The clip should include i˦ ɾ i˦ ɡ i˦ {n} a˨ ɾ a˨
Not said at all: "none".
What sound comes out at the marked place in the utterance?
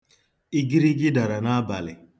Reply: d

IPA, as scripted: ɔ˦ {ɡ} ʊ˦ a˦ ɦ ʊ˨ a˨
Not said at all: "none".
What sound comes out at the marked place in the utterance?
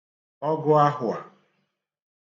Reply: ɡ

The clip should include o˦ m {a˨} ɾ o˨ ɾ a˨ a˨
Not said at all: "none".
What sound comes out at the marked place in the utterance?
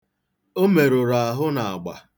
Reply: e˨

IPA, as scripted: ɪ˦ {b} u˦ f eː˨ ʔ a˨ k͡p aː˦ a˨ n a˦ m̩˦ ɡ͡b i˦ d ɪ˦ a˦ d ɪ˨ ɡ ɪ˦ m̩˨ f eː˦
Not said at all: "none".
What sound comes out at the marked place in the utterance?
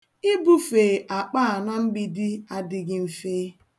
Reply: b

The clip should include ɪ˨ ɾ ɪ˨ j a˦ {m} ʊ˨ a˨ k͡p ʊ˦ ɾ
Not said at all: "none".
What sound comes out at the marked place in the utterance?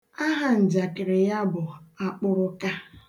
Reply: b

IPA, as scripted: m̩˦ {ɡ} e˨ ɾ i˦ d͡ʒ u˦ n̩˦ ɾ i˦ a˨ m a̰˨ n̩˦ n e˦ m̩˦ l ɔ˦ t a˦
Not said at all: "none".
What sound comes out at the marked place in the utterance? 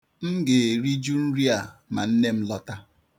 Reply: ɡ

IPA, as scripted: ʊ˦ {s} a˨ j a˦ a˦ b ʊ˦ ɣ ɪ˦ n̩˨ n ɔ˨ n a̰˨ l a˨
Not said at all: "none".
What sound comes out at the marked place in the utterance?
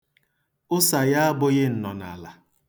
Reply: s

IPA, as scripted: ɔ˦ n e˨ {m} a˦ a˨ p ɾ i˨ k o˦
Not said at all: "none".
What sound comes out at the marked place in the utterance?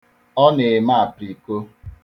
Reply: m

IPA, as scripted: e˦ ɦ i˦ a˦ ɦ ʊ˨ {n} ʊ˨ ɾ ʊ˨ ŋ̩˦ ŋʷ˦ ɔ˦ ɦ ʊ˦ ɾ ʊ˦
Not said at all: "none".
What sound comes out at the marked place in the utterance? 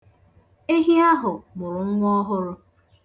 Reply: m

